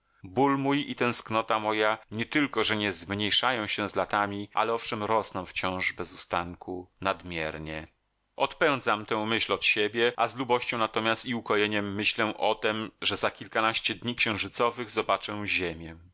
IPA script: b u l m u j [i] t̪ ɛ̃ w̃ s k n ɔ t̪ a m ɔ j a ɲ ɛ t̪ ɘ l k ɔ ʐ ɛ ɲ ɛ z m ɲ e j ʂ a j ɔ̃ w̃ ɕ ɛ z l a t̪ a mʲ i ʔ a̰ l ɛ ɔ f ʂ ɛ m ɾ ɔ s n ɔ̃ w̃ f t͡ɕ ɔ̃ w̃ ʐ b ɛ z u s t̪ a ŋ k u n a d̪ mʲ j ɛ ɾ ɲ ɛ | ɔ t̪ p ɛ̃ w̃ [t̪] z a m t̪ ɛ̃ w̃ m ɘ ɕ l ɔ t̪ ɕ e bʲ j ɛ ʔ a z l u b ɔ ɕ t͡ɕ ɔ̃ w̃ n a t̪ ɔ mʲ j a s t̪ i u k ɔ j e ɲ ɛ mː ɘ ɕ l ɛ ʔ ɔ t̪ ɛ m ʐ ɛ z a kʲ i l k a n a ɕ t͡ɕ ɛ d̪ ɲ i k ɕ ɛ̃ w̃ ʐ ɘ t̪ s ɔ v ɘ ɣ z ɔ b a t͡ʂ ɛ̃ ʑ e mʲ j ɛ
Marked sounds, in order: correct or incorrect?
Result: correct, incorrect

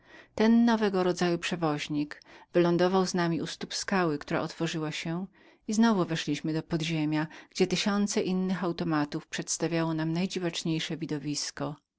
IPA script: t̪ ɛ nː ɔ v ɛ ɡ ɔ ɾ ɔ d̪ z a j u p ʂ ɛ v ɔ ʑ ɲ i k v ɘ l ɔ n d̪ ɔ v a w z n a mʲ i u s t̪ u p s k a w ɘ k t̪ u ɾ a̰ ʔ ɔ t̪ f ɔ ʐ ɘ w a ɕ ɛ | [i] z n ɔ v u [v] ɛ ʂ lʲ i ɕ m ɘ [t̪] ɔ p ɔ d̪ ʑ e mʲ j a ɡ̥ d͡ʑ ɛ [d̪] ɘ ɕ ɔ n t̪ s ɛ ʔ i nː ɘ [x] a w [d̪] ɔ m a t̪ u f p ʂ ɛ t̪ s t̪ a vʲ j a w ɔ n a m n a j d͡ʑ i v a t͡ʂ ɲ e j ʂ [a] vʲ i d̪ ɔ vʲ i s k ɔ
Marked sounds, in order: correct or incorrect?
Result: correct, correct, incorrect, incorrect, correct, incorrect, incorrect

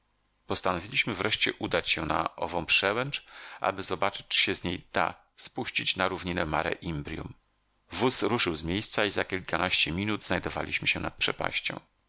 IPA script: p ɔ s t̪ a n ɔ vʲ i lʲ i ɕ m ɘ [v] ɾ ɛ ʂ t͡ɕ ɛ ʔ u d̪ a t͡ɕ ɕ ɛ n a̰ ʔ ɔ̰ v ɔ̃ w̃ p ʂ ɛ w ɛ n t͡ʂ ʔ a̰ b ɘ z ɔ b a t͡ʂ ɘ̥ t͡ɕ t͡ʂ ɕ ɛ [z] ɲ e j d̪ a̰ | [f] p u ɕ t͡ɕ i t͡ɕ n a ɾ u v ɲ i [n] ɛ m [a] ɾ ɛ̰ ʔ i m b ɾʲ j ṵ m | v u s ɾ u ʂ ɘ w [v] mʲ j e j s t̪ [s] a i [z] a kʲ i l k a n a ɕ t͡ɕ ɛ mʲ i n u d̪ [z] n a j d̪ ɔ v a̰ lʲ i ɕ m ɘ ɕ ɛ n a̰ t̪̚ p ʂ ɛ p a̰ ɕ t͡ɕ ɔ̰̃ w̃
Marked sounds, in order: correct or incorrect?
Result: correct, correct, incorrect, correct, correct, incorrect, correct, correct, correct

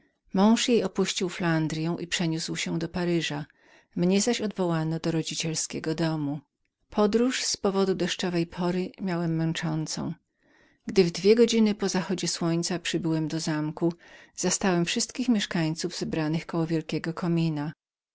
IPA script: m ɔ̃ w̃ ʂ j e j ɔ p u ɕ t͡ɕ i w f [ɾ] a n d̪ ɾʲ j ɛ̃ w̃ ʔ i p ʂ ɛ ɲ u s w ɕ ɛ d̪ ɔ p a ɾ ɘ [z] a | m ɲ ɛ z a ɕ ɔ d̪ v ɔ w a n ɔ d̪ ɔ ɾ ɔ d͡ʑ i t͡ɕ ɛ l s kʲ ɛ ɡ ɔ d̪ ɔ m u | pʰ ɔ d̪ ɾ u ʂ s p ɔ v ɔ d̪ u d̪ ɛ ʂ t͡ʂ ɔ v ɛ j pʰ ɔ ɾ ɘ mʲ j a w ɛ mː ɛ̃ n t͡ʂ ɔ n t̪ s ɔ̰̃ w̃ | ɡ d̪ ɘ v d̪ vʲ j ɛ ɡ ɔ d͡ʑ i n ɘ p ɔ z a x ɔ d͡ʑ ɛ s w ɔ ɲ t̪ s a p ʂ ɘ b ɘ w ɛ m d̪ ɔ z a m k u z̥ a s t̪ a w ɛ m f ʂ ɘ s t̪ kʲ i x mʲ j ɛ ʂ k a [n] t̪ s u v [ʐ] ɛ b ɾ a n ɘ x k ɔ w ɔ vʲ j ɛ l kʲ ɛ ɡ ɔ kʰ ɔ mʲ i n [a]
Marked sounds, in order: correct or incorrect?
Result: incorrect, incorrect, incorrect, incorrect, correct

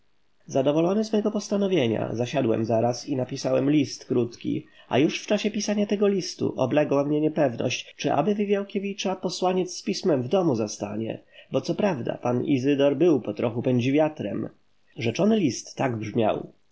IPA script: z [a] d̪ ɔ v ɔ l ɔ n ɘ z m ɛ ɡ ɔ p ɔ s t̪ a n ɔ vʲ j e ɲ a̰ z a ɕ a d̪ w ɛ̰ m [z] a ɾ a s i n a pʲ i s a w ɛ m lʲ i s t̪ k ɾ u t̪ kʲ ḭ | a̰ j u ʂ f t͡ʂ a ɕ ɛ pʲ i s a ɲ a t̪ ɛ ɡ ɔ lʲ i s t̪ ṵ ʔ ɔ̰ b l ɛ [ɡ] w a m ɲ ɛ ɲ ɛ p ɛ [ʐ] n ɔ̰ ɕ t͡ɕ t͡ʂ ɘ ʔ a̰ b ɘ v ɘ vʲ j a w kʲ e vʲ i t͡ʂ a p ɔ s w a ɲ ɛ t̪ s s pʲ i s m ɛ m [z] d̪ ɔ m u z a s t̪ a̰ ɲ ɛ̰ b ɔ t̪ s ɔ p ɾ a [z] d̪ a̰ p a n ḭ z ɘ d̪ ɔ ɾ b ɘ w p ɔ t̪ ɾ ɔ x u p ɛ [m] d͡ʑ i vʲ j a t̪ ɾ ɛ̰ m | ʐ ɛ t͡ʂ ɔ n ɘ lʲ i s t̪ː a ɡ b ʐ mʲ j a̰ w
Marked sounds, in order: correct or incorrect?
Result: correct, correct, correct, incorrect, incorrect, incorrect, incorrect

